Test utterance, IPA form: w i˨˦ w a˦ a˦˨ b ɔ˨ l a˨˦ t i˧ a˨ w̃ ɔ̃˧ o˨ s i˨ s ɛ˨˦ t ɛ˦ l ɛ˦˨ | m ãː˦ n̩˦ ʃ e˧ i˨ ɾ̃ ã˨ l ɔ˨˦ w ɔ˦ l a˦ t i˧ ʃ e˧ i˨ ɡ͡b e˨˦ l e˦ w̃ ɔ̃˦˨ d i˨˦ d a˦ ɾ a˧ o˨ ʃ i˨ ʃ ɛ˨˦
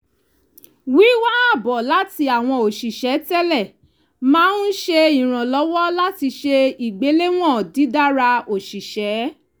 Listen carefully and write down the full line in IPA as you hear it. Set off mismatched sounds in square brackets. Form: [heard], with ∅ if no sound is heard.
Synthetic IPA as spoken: w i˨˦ w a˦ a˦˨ b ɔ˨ l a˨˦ t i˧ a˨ w̃ ɔ̃˧ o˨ [ʃ] i˨ [ʃ] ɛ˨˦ t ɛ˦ l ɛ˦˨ | m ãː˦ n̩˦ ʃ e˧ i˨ ɾ̃ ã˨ l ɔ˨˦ w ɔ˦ l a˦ t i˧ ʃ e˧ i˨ ɡ͡b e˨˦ l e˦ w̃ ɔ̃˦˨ d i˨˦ d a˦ ɾ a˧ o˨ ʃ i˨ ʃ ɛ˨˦